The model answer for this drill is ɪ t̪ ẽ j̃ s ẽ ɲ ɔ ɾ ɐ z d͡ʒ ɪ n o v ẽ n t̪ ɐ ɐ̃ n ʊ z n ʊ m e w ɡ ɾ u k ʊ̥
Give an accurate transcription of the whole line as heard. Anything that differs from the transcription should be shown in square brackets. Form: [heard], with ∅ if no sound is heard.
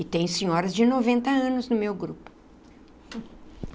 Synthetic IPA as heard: ɪ t̪ ẽ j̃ s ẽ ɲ ɔ ɾ ɐ z d͡ʒ ɪ n o v ẽ n t̪ ɐ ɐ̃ n ʊ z n ʊ m e w ɡ ɾ u [p] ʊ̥

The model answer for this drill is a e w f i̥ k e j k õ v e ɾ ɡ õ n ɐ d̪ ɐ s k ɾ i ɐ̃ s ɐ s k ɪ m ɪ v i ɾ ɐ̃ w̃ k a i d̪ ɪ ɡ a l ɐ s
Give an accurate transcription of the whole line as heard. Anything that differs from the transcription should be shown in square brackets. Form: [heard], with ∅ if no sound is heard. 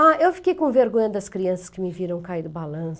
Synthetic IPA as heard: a e w f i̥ k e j k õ v e ɾ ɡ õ [ɲ] ɐ d̪ ɐ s k ɾ i ɐ̃ s ɐ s k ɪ m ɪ v i ɾ ɐ̃ w̃ k a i d̪ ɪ [b] a l [ɐ̃] s

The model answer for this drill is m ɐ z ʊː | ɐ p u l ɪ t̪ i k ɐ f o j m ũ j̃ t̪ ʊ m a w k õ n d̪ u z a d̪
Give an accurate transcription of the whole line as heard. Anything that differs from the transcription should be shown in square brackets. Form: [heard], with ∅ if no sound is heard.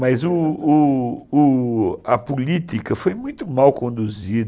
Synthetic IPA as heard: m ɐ z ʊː | ɐ p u l [i] t̪ i k ɐ f o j m ũ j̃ t̪ ʊ m a w k õ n d̪ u z [i] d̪

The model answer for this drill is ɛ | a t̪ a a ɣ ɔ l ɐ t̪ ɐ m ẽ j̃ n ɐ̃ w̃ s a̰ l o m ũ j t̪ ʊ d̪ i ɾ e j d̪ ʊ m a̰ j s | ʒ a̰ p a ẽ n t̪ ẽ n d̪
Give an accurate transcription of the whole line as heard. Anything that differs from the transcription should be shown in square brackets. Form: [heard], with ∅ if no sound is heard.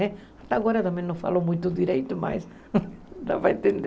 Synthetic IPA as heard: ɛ | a t̪ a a ɣ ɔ [ɾ] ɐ t̪ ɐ m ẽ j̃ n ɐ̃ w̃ [f] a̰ l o m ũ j t̪ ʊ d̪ i ɾ e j [t̪] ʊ m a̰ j s | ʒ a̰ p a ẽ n t̪ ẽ n d̪

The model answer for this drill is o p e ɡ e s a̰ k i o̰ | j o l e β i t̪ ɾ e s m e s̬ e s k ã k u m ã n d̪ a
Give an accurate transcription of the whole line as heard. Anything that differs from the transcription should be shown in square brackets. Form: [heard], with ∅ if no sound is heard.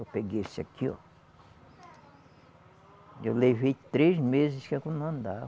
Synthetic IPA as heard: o p e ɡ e s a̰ k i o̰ | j o l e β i t̪ ɾ e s m e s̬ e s k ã k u [n] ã n d̪ a

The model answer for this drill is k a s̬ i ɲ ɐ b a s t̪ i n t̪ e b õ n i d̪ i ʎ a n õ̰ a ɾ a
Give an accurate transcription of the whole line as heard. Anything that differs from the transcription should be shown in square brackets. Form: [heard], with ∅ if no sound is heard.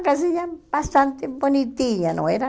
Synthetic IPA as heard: k a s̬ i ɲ [a] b a s t̪ [a] n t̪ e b [o] n i [t̪] i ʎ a n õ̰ [e] ɾ a

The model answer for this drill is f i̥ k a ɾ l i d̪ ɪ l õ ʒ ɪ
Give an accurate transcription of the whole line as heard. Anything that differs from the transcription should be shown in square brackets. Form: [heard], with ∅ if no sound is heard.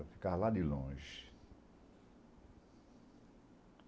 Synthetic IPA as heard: f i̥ k a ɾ l [a] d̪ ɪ l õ ʒ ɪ

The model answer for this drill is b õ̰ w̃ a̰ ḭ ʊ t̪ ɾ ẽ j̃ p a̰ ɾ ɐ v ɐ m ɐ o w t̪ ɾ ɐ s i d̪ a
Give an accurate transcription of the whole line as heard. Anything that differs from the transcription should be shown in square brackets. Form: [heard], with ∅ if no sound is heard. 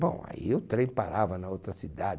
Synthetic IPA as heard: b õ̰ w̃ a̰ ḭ ʊ t̪ ɾ ẽ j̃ p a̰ ɾ [a] v ɐ [n] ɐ o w t̪ ɾ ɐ s i d̪ a

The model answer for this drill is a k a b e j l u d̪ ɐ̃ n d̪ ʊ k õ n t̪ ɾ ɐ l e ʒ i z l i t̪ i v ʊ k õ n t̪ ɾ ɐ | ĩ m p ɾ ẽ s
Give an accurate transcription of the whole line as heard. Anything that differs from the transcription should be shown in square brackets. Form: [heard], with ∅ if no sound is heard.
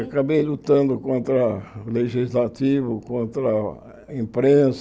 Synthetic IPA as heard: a k a b e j l u [t̪] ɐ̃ n d̪ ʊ k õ n t̪ ɾ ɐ l e ʒ i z l [a] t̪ i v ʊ k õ n t̪ ɾ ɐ | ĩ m p ɾ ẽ s

